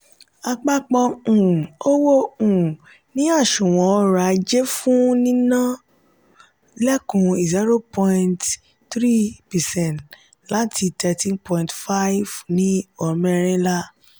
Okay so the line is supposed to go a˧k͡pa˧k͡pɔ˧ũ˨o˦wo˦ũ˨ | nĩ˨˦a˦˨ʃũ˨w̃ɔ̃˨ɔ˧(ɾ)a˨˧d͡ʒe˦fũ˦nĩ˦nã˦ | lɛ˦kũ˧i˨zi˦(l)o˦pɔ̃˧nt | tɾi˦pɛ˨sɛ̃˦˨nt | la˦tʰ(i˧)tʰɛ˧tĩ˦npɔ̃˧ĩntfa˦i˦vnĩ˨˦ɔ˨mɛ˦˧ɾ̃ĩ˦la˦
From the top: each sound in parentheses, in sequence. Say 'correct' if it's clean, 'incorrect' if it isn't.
correct, incorrect: ɾ, correct

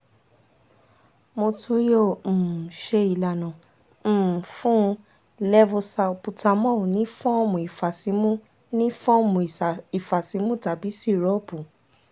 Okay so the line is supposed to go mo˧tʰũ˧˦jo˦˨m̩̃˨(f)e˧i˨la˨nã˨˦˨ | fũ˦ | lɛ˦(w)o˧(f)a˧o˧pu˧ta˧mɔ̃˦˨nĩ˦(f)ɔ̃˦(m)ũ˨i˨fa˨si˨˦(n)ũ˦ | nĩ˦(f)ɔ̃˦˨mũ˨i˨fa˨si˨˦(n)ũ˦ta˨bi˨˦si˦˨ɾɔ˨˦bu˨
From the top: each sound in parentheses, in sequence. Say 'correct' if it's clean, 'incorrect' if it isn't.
incorrect: ʃ, incorrect: v, incorrect: s, correct, correct, incorrect: m, correct, incorrect: m

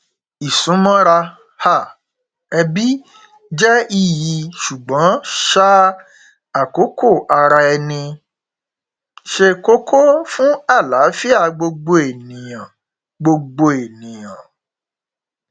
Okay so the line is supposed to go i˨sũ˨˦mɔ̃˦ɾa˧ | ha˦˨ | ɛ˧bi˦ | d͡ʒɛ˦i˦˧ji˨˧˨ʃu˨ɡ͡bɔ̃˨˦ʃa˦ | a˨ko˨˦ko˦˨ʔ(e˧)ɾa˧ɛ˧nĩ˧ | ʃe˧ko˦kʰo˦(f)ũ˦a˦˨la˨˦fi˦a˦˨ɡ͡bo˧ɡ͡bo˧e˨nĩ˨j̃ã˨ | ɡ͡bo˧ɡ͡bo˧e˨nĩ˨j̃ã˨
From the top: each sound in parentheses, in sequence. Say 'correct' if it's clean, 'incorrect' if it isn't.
incorrect: a˧, correct

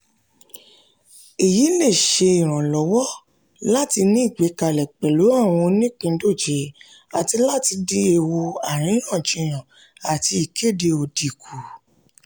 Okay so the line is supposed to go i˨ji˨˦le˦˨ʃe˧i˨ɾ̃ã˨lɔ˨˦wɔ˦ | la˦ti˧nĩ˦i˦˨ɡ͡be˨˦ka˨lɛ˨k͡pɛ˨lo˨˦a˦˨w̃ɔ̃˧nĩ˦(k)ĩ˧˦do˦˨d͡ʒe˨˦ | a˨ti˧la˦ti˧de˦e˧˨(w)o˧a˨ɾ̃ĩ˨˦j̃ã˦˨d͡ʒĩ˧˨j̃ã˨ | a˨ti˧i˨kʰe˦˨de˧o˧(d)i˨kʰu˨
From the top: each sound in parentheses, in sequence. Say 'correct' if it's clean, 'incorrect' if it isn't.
incorrect: k͡p, correct, correct

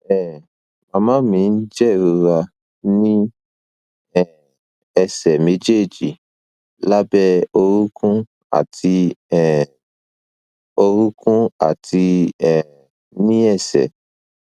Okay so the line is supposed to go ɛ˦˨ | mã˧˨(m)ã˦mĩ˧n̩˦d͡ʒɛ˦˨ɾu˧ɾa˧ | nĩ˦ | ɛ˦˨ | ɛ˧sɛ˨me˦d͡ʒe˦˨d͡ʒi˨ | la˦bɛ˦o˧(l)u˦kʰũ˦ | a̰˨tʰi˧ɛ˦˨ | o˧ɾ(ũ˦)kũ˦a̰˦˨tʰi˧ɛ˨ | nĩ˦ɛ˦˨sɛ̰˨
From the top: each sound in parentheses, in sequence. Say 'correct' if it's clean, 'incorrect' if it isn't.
correct, incorrect: ɾ, incorrect: u˦

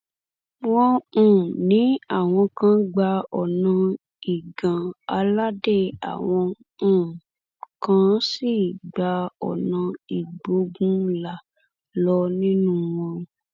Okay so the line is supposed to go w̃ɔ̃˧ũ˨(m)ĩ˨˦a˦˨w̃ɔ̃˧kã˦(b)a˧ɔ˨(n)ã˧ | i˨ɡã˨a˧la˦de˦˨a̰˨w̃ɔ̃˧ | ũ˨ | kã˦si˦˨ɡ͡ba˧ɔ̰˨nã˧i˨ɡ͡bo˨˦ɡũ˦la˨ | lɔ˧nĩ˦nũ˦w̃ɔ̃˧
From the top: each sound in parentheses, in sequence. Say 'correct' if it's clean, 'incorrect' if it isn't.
incorrect: n, incorrect: ɡ͡b, correct

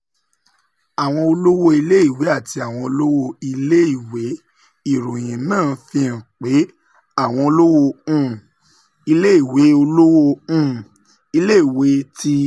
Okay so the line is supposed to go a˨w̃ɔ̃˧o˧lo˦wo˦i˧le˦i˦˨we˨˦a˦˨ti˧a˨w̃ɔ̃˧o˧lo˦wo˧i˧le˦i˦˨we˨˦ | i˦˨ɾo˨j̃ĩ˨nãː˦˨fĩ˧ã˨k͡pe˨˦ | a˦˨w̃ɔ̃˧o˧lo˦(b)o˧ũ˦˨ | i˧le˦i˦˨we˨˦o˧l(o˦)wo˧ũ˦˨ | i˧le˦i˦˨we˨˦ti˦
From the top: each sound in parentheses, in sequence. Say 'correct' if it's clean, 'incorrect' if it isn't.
incorrect: w, correct

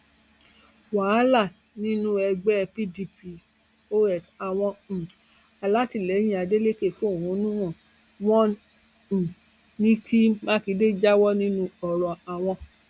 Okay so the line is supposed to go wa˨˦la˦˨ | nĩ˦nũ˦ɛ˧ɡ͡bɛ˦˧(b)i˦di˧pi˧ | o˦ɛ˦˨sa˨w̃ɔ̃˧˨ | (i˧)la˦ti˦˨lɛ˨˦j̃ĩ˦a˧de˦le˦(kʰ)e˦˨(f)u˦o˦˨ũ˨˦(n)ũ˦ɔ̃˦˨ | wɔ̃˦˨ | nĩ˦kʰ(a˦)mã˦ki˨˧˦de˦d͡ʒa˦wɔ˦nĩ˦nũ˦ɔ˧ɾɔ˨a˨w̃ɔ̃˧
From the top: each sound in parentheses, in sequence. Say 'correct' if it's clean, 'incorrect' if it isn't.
incorrect: p, incorrect: a˧, incorrect: k, correct, correct, incorrect: i˦

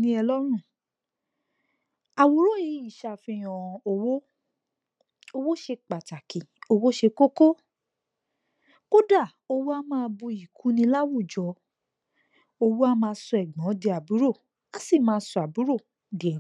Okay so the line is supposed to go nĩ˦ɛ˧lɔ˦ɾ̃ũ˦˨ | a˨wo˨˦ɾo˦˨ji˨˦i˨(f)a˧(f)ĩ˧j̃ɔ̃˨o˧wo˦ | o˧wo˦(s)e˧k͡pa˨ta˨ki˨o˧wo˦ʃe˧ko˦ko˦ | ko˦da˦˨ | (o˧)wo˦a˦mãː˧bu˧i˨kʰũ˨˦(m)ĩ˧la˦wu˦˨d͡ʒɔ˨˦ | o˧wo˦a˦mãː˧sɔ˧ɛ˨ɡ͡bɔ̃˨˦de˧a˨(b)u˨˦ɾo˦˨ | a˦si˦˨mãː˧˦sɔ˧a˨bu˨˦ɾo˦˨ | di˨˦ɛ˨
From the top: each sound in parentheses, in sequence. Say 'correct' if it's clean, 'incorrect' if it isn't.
incorrect: ʃ, correct, incorrect: ʃ, correct, incorrect: n, correct

